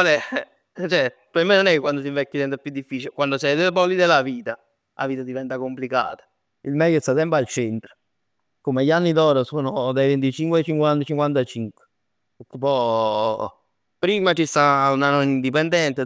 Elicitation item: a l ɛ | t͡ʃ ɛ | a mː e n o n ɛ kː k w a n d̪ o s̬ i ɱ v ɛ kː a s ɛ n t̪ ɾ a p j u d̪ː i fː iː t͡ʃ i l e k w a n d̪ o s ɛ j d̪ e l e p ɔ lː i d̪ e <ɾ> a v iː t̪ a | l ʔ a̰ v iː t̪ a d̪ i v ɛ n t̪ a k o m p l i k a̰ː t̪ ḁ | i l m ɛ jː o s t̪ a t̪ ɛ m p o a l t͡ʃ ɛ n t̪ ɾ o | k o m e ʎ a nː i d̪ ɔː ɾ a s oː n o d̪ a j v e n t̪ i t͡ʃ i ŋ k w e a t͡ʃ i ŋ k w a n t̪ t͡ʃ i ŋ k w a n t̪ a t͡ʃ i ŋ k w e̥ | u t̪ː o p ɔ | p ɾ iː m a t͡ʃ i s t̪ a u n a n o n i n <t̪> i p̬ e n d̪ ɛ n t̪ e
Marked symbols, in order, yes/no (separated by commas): no, no